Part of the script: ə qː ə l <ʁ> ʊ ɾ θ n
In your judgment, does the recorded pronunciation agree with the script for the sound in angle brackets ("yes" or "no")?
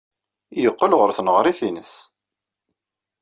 yes